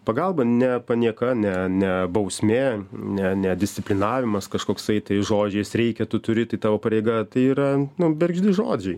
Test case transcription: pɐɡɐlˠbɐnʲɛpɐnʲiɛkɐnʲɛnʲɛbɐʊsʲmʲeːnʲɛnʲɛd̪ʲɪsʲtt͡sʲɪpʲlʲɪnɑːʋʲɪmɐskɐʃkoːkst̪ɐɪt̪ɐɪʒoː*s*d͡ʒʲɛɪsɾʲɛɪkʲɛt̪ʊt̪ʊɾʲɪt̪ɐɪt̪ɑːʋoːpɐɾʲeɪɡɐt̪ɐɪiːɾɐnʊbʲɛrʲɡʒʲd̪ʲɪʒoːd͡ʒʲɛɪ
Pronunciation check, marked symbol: incorrect: none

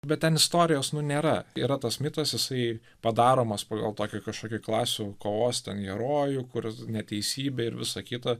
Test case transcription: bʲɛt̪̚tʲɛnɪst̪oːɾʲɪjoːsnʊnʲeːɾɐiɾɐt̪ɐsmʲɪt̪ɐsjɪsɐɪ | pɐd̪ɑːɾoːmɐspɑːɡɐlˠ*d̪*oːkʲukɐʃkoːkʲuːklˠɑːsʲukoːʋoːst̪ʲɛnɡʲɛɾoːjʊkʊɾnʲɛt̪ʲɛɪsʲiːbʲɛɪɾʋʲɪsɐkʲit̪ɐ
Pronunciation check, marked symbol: incorrect: t̪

